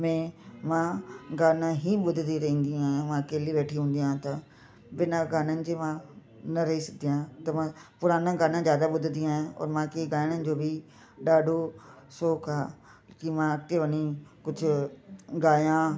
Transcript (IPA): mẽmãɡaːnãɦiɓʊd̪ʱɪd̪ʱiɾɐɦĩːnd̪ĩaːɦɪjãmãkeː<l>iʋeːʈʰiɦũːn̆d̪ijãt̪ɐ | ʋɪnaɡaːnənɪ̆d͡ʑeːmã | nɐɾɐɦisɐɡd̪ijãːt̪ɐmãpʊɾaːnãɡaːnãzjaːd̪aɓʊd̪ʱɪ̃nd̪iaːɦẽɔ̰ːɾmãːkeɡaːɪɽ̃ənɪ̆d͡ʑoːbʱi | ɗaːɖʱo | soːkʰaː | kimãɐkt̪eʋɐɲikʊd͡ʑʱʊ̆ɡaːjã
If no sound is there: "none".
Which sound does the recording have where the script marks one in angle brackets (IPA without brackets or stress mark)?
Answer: l